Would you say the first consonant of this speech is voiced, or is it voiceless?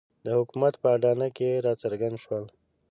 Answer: voiced